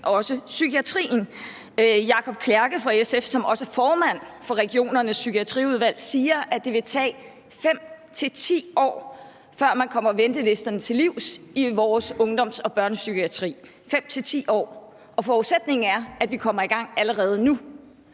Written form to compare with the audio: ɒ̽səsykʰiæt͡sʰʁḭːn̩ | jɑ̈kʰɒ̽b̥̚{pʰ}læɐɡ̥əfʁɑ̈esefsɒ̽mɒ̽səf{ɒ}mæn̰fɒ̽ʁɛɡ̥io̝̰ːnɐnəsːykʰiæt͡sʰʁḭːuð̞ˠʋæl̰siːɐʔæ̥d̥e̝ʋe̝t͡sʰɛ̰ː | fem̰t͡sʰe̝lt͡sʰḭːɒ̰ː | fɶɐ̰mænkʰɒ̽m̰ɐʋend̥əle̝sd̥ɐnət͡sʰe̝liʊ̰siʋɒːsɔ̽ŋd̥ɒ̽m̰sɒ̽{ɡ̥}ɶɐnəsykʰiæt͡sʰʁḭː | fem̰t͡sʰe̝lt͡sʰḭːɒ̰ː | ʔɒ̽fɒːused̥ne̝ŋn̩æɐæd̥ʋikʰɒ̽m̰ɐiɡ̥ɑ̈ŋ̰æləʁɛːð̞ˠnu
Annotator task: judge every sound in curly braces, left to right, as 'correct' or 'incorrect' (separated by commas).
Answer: incorrect, incorrect, incorrect